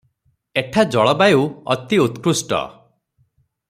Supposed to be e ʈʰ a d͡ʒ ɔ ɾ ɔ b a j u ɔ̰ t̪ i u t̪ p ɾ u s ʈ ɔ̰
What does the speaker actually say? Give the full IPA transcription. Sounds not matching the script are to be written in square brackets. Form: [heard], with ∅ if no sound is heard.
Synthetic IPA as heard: e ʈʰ a d͡ʒ ɔ [ɭ] ɔ b a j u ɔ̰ t̪ i u t̪ [k] ɾ u s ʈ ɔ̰